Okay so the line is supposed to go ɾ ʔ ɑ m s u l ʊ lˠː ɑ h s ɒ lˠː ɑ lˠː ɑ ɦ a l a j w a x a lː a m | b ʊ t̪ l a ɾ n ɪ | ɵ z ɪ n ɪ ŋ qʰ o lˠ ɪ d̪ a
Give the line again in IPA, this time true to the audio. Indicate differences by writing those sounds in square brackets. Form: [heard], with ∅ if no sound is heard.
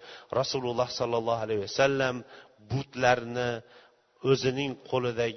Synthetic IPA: ɾ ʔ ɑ [∅] s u l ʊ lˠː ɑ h s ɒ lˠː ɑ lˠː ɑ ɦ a l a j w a [s] a lː a m | b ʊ t̪ l a ɾ n ɪ | ɵ z ɪ n ɪ ŋ qʰ o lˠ ɪ d̪ a